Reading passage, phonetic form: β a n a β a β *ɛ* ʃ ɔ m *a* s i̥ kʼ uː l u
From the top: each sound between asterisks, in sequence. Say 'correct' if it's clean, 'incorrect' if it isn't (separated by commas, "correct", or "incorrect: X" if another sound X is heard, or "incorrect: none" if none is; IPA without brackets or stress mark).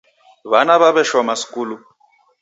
correct, correct